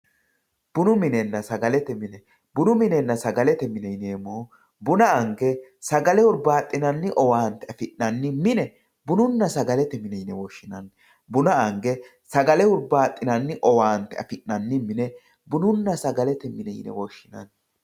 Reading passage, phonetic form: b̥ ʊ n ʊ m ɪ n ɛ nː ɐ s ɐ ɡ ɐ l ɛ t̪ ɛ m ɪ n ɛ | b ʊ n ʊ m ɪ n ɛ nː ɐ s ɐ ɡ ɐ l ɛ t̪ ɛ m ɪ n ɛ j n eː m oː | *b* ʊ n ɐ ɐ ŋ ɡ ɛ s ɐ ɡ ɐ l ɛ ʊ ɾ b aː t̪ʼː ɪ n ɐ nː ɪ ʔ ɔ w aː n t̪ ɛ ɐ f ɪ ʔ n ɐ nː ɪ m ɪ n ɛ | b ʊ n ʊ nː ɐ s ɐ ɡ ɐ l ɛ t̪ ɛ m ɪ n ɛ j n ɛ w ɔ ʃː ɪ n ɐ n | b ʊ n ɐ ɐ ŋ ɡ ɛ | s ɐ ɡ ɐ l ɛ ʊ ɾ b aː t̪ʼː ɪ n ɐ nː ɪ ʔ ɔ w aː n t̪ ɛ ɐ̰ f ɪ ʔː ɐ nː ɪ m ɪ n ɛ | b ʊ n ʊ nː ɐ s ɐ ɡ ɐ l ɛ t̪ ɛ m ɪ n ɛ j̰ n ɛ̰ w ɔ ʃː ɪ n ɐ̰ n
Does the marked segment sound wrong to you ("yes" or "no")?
no